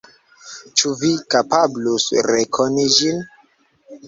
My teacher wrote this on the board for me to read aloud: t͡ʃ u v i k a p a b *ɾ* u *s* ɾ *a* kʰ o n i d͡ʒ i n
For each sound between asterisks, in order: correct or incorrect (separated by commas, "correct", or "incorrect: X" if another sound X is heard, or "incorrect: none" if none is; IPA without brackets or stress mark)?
incorrect: l, correct, incorrect: e